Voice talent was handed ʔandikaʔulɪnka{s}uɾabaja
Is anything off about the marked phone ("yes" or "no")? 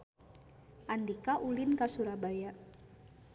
no